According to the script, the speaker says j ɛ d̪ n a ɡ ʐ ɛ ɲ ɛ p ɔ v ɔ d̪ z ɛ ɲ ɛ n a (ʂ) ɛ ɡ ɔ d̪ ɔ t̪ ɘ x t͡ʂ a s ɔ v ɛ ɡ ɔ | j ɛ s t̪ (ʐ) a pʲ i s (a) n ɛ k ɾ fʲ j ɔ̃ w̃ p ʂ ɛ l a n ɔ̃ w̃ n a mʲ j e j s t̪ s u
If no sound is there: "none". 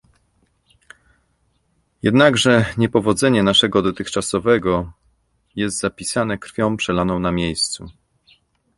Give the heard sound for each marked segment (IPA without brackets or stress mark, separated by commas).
ʂ, z, a